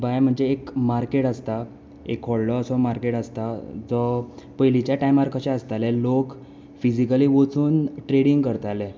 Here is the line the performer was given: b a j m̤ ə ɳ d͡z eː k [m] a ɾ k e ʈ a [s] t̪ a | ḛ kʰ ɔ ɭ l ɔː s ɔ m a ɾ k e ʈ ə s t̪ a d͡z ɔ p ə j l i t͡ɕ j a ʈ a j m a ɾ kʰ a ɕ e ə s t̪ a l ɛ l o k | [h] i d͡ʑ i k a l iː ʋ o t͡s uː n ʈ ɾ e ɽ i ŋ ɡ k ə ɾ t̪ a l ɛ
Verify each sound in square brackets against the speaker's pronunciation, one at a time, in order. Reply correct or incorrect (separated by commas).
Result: correct, correct, incorrect